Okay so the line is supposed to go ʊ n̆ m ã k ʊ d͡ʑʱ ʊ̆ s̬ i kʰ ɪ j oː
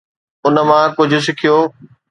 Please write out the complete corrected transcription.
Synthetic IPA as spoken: ʊ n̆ m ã k ʊ d͡ʑʱ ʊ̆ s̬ ɪ kʰ i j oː